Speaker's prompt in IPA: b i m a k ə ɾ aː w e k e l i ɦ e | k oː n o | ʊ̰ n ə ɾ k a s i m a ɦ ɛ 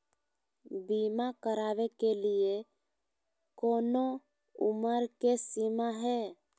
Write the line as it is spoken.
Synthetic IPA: b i m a k ə ɾ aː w e k e l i e | k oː n o | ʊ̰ m ə ɾ k e s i m a ɦ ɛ